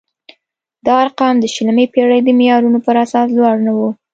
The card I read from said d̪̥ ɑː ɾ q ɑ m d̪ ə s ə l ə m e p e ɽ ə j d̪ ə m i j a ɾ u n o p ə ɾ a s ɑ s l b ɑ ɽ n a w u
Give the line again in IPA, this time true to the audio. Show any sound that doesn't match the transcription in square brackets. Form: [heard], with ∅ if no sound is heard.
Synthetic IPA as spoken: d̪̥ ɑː ɾ q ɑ m d̪ ə [ʃ] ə l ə m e p e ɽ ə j d̪ ə m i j [ɑ] ɾ u n o p ə ɾ a s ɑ s l [w] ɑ ɽ n a w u

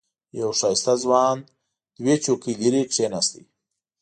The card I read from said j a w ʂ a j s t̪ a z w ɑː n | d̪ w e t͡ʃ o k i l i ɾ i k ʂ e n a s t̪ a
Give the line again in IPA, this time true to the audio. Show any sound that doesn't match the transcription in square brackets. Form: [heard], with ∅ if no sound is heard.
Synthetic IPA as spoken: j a w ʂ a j s t̪ a z w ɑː n | d̪ w e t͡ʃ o k i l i ɾ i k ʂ e n a s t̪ [i]

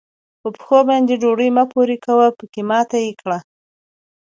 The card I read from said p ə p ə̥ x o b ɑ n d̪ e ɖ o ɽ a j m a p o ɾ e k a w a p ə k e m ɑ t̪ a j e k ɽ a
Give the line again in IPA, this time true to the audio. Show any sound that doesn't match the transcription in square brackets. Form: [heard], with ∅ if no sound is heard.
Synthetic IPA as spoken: p ə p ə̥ x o b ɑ n d̪ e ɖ o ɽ [ə] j m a p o ɾ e k a w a p ə k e m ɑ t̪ a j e k ɽ a

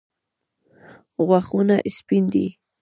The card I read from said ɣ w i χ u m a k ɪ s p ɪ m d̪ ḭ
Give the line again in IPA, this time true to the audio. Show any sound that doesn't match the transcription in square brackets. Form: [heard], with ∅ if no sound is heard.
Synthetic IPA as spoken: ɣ w [a] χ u [n] a [ʔ] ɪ s p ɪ [n] d̪ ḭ

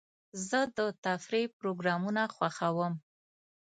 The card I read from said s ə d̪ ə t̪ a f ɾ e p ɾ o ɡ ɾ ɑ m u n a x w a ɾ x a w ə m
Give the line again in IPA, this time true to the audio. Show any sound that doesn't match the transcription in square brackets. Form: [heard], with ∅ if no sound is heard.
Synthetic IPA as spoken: [z] ə d̪ ə t̪ a f ɾ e p ɾ o ɡ ɾ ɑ m u n a x w a [∅] x a w ə m

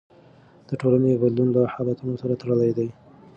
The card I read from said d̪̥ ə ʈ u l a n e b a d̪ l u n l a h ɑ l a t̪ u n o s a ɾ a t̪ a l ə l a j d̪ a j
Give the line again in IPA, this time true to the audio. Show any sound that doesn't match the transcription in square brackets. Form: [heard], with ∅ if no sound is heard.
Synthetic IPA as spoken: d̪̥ ə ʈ [o] l a n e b a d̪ l u n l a h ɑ l a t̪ u n o s a ɾ a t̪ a [ɽ] ə l a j d̪ a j

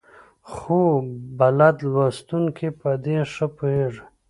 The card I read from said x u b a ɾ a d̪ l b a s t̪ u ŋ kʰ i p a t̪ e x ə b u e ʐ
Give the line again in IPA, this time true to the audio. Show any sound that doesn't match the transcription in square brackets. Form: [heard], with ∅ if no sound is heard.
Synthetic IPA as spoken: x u b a [l] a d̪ l [w] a s t̪ u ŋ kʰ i p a [d̪] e [ʂ] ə [p] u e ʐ

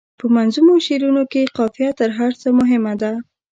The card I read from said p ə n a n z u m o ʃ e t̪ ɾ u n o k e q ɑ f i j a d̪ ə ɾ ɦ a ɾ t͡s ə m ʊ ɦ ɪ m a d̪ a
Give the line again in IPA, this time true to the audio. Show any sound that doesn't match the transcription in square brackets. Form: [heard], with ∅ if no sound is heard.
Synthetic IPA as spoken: p ə [m] a n z u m o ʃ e [∅] ɾ u n o k e q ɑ f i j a [t̪] ə ɾ ɦ a ɾ t͡s ə m ʊ ɦ ɪ m a d̪ a

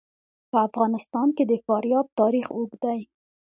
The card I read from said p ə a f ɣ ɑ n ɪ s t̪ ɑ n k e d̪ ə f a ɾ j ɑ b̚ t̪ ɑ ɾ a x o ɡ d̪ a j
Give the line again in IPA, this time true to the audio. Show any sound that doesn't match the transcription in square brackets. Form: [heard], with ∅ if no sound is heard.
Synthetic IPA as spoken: p ə a f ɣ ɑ n ɪ s t̪ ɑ n k e d̪ ə f [ɑ] ɾ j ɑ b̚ t̪ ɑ ɾ [i] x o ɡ d̪ a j

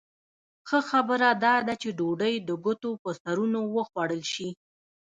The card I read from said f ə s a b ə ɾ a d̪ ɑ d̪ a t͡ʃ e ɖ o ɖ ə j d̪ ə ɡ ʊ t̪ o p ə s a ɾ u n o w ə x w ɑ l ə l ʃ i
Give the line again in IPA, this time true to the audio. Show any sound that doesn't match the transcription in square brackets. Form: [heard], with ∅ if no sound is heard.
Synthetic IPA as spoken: [x] ə [x] a b ə ɾ a d̪ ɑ d̪ a t͡ʃ e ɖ o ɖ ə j d̪ ə ɡ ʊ t̪ o p ə s a ɾ u n o w ə x w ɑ [ɽ] ə l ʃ i

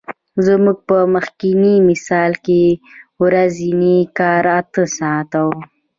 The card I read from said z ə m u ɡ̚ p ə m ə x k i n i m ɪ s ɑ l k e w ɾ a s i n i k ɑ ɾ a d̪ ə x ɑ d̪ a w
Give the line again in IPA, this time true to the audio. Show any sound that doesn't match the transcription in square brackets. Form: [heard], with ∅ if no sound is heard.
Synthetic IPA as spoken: z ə m u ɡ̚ p ə m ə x k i n i m ɪ s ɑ l k e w ɾ a [z] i n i k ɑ ɾ a [t̪] ə [s] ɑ [t̪] a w

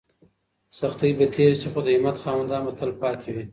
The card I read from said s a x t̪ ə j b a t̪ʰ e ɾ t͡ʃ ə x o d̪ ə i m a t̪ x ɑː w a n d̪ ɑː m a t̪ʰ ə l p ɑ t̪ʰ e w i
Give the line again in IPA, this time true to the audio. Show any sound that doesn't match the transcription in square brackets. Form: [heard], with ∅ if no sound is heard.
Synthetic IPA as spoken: s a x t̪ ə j b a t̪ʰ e ɾ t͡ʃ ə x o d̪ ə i m a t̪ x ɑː w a n d̪ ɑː m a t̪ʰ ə l p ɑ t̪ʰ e w i

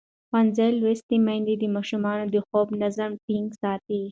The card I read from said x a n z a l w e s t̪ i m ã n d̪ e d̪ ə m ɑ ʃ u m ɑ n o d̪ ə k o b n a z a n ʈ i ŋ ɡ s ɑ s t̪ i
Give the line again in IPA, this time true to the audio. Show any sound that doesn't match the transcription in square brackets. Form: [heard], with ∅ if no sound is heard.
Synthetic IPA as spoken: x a n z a l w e s t̪ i m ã n d̪ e d̪ ə m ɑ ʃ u m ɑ n o d̪ ə [x] o b n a z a [m] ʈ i ŋ ɡ s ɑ [∅] t̪ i

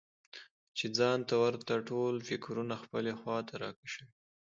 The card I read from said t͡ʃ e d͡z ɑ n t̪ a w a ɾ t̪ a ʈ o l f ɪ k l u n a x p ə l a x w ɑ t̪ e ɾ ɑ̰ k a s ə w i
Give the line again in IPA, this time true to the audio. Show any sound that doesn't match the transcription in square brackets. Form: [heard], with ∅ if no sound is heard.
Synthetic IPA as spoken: t͡ʃ e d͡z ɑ n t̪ a w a ɾ t̪ a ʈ o l f ɪ k [ɾ] u n a x p ə l [e] x w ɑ t̪ [a] ɾ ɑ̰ k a [ʃ] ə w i

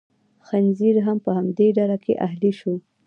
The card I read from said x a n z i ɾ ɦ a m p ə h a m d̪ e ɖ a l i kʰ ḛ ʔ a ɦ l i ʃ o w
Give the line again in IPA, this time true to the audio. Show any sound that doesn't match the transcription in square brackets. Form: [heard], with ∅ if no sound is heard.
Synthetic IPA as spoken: x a n z i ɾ ɦ a m p ə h a m d̪ e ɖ a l [a] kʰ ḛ ʔ a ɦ l i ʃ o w

